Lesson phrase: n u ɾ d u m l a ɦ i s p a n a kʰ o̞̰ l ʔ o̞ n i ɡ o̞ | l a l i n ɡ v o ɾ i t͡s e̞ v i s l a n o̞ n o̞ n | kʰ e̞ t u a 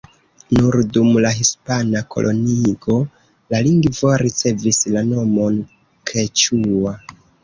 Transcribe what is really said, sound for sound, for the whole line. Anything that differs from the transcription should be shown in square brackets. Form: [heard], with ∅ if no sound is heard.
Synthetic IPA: n u ɾ d u m l a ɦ i s p a n a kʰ o̞̰ l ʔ o̞ n i ɡ o̞ | l a l i [ŋ] ɡ v o ɾ i t͡s e̞ v i s l a n o̞ [m] o̞ n | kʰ e̞ [t͡ʃ] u a